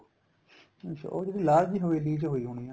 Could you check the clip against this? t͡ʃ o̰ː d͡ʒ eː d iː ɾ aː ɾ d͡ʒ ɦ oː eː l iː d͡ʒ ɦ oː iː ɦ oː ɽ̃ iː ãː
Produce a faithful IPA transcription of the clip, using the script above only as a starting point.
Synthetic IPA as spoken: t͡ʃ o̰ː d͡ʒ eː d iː l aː ɾ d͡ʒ ɦ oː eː l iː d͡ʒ ɦ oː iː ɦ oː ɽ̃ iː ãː

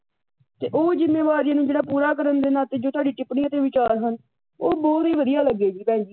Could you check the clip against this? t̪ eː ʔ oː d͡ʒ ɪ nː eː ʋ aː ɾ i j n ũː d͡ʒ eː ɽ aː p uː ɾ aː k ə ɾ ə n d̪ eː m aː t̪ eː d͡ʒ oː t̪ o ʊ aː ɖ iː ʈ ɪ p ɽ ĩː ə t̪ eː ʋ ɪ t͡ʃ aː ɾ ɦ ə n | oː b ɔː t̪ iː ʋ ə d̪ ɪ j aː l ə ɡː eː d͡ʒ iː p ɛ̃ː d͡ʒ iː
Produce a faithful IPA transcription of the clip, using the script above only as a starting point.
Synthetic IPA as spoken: t̪ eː ʔ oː d͡ʒ ɪ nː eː ʋ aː ɾ i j n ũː d͡ʒ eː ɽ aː p uː ɾ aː k ə ɾ ə n d̪ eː n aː t̪ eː d͡ʒ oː t̪ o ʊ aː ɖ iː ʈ ɪ p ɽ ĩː ə t̪ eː ʋ ɪ t͡ʃ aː ɾ ɦ ə n | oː b ɔː t̪ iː ʋ ə d̪ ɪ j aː l ə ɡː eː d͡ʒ iː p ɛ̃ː d͡ʒ iː

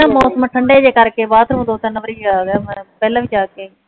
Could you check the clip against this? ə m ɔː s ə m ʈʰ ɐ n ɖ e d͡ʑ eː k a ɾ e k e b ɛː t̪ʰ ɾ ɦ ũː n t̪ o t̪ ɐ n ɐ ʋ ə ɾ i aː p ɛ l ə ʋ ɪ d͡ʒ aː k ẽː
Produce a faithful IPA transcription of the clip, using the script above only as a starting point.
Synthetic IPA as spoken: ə m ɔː s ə m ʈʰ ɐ ɳ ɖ e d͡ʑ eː k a ɾ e k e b aː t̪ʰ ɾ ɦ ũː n d̪ o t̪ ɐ n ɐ ʋ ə ɾ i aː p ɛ l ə ʋ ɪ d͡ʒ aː k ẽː

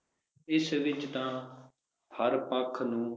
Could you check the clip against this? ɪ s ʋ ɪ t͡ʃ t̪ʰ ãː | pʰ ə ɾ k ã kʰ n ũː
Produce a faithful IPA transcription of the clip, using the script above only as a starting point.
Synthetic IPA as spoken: ɪ s ʋ ɪ t͡ʃ t̪ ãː | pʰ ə ɾ p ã kʰ n ũː

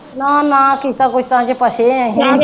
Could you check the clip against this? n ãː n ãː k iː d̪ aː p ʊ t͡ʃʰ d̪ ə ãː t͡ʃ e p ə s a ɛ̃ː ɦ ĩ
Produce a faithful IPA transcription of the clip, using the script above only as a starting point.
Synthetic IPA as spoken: n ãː n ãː k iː t̪ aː k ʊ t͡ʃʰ t̪ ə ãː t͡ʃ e p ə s e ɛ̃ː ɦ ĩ

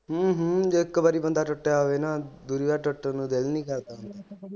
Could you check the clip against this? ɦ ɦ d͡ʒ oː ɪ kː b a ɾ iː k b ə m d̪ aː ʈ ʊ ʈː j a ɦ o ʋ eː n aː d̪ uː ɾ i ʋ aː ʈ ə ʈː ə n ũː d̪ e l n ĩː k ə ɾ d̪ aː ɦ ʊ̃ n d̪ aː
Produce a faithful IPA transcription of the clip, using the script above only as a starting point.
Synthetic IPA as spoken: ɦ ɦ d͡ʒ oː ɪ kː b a ɾ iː b ə n d̪ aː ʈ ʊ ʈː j a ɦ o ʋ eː n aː d̪ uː ɾ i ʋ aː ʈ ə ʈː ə n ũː d̪ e l n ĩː k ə ɾ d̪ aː ɦ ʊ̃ n d̪ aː

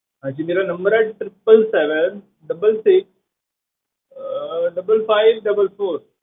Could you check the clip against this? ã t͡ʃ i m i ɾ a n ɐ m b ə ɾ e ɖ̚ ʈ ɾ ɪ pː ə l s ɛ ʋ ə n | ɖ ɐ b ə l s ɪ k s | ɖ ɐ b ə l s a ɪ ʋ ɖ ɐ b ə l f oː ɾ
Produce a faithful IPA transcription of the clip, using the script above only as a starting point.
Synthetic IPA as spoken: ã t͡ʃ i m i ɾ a n ɐ m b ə ɾ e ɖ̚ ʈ ɾ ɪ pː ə l s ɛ ʋ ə n | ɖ ɐ b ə l s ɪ k s | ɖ ɐ b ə l f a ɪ ʋ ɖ ɐ b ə l f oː ɾ

